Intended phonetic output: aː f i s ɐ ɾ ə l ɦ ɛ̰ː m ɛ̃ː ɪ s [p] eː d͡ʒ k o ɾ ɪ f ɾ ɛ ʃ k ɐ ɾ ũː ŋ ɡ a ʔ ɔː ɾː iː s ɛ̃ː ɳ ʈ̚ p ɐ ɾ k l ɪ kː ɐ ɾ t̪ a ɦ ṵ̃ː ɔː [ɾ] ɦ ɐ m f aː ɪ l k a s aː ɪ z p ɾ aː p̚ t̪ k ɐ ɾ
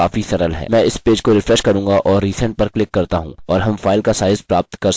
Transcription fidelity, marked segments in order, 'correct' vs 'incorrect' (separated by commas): correct, correct